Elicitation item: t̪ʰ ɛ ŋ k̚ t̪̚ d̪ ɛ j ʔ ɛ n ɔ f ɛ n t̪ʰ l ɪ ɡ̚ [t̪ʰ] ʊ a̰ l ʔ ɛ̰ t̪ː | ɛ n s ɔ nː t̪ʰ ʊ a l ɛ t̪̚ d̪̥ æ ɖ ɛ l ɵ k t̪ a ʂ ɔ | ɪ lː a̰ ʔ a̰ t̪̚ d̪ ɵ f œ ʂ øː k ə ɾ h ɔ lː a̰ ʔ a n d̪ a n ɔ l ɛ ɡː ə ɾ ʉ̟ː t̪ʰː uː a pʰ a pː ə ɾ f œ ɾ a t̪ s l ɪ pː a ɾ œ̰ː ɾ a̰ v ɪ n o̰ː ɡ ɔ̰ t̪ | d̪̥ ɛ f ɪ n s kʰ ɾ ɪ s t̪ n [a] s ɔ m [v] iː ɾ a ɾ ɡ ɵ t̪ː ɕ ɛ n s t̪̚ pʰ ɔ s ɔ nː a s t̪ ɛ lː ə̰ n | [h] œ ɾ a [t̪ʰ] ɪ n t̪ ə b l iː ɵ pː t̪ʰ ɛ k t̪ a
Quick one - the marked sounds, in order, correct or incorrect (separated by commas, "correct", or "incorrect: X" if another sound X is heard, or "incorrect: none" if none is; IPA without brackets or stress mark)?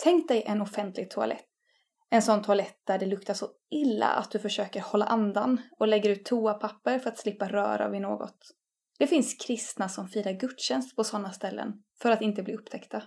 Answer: correct, correct, incorrect: f, incorrect: f, incorrect: t̪